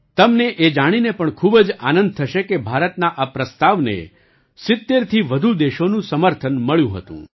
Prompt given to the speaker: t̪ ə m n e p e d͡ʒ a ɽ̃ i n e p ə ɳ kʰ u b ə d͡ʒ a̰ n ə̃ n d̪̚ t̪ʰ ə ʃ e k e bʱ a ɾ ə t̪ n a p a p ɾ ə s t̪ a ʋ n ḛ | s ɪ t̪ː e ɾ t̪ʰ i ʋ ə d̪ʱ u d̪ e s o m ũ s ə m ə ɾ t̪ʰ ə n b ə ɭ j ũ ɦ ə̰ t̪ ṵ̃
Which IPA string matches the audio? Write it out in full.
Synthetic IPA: t̪ ə m n e ʔ e d͡ʒ a ɽ̃ i n e p ə ɳ kʰ u b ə d͡ʒ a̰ n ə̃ n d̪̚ t̪ʰ ə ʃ e k e bʱ a ɾ ə t̪ n a ʔ a p ɾ ə s t̪ a ʋ n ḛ | s ɪ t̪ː e ɾ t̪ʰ i ʋ ə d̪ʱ u d̪ e ʃ o n ũ s ə m ə ɾ t̪ʰ ə n m ə ɭ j ũ ɦ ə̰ t̪ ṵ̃